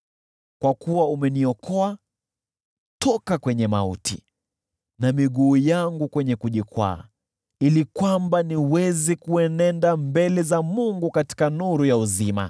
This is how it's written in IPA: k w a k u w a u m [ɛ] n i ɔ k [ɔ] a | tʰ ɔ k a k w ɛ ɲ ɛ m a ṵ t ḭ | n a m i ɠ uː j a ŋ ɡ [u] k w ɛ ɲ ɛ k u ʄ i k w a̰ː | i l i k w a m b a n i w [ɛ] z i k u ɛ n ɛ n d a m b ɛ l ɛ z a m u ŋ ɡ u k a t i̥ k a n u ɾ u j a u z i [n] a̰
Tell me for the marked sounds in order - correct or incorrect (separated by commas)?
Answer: correct, correct, correct, correct, incorrect